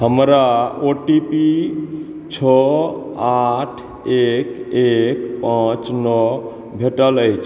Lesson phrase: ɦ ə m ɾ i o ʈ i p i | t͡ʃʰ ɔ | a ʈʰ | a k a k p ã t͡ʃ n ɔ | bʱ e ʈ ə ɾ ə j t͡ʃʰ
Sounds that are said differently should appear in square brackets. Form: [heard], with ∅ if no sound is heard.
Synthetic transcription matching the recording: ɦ ə m ɾ [a] o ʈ i p i | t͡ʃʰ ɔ | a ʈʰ | [e] k [e] k p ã t͡ʃ n ɔ | bʱ e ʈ ə [l] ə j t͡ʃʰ

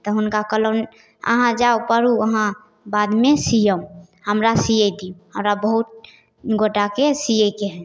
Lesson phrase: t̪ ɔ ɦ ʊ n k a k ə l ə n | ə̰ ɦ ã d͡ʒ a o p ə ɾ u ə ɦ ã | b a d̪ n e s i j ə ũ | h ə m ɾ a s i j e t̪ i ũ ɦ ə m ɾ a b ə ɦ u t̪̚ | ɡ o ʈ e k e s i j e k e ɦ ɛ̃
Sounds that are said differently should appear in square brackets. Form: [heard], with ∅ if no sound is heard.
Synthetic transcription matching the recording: t̪ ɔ ɦ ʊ n k a k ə l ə n | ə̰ ɦ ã d͡ʒ a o p ə ɾ u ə ɦ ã | b a d̪ [m] e s i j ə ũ | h ə m ɾ a s i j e [d̪] i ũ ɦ ə m ɾ a b ə ɦ u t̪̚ | ɡ o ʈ [a] k e s i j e k e ɦ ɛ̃

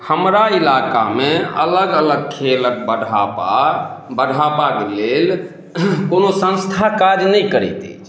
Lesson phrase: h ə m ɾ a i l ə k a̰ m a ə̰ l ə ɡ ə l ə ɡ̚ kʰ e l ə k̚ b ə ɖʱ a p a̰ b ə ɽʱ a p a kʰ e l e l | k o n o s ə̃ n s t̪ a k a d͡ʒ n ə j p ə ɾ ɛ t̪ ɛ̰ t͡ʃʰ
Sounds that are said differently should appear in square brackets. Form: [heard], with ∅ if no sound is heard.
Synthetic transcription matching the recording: h ə m ɾ a i l [a] k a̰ m [e] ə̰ l ə ɡ ə l ə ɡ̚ kʰ e l ə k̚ b ə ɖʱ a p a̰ b ə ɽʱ a p a [k] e l e l | k o n o s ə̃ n s [t̪ʰ] a k a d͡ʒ n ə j [k] ə ɾ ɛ t̪ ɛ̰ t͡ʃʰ

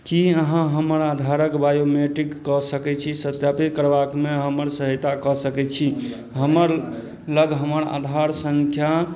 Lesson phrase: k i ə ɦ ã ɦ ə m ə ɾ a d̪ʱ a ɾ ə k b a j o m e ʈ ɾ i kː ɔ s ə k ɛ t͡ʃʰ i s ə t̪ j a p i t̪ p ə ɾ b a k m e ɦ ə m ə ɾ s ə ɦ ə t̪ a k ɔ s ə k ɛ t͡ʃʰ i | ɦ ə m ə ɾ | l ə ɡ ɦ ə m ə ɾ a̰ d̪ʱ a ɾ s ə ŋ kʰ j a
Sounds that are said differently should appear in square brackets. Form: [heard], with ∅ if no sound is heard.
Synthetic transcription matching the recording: k i ə ɦ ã ɦ ə m ə ɾ a d̪ʱ a ɾ ə k b a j o m e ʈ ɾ i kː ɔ s ə k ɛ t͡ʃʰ i s ə t̪ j a p i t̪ [k] ə ɾ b a k m e ɦ ə m ə ɾ s ə ɦ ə t̪ a k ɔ s ə k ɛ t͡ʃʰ i | ɦ ə m ə ɾ | l ə ɡ ɦ ə m ə ɾ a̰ d̪ʱ a ɾ s ə ŋ kʰ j a

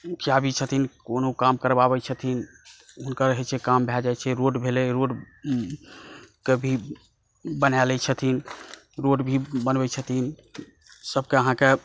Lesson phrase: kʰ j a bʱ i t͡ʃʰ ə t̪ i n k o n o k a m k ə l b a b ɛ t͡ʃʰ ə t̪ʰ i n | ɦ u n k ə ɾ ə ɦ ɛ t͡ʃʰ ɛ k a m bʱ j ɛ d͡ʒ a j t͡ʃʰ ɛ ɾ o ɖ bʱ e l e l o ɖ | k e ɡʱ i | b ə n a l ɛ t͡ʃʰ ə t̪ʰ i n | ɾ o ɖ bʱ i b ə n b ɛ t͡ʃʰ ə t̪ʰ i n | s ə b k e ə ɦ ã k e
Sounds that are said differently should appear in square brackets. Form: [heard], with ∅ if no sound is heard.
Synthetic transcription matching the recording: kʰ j a bʱ i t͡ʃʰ ə t̪ i n k o n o k a m k ə [ɾ] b a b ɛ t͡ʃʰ ə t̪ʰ i n | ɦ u n k ə ɾ ə ɦ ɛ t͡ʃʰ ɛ k a m bʱ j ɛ d͡ʒ a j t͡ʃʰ ɛ ɾ o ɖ bʱ e l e [ɾ] o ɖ | k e [bʱ] i | b ə n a l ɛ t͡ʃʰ ə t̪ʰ i n | ɾ o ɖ bʱ i b ə n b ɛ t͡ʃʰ ə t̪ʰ i n | s ə b k e ə ɦ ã k e

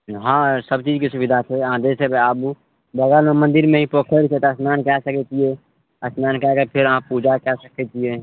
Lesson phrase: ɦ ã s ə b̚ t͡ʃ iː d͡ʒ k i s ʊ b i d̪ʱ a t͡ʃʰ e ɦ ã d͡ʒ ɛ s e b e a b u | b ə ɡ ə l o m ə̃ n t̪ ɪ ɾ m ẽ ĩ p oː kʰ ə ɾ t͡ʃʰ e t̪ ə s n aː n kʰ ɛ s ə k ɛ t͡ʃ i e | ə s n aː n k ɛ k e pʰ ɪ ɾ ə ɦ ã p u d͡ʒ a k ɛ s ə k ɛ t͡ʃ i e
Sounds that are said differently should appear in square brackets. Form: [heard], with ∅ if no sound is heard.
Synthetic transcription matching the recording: ɦ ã s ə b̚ t͡ʃ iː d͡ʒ k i s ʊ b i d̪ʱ a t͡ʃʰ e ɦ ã d͡ʒ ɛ s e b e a b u | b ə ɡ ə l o m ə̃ n [d̪] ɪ ɾ m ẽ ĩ p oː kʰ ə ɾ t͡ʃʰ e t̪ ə s n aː n [k] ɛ s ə k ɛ t͡ʃ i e | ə s n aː n k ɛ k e pʰ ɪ ɾ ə ɦ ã p u d͡ʒ a k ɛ s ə k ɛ t͡ʃ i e

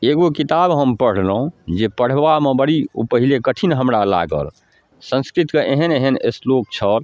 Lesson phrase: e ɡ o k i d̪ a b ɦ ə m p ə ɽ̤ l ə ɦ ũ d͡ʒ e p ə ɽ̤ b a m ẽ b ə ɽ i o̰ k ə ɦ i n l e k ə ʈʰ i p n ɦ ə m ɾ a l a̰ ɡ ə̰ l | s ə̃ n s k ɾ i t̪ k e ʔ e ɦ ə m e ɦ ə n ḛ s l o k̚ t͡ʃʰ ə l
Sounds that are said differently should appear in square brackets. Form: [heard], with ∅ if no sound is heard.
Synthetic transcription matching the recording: e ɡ o k i [t̪] a b ɦ ə m p ə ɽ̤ l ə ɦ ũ d͡ʒ e p ə ɽ̤ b a m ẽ b ə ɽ i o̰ [p] ə ɦ i [∅] l e k ə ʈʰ i [∅] n ɦ ə m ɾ a l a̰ ɡ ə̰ l | s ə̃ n s k ɾ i t̪ k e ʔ e ɦ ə [n] e ɦ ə n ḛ s l o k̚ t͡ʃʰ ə l

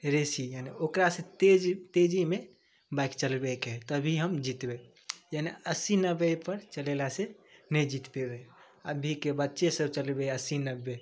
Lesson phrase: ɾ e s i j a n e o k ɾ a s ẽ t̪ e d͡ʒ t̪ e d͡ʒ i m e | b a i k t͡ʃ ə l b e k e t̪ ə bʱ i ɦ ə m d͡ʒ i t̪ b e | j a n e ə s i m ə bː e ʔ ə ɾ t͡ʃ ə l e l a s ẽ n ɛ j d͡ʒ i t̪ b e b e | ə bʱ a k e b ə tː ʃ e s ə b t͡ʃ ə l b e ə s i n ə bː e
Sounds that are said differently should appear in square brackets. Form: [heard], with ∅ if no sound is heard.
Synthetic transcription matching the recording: ɾ e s i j a n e o k ɾ a s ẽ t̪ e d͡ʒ t̪ e d͡ʒ i m e | b a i k t͡ʃ ə l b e k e t̪ ə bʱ i ɦ ə m d͡ʒ i t̪ b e | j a n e ə s i [n] ə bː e [p] ə ɾ t͡ʃ ə l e l a s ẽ n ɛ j d͡ʒ i t̪ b e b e | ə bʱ [i] k e b ə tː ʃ e s ə b t͡ʃ ə l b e ə s i n ə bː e

